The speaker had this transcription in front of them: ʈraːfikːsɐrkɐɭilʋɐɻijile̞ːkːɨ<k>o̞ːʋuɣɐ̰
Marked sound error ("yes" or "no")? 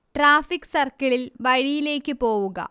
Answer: yes